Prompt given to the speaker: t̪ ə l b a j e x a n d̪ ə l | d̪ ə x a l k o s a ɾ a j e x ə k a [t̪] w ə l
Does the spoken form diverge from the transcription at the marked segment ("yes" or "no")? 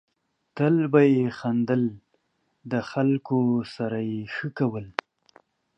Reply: yes